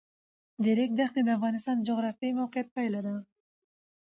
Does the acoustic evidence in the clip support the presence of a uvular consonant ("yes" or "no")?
yes